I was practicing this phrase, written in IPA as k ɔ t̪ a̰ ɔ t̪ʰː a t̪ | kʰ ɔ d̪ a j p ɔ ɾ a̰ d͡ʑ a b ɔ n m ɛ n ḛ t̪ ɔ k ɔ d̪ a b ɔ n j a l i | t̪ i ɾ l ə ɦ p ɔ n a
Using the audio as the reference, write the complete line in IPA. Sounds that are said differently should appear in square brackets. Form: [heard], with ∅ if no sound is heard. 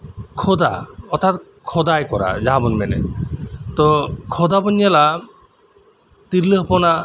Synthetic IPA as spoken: [kʰ] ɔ [d̪] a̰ ɔ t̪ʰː a t̪ | kʰ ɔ d̪ a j [k] ɔ ɾ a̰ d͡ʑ a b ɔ n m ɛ n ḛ t̪ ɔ [kʰ] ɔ d̪ a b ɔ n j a l [a] | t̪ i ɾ l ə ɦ p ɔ n a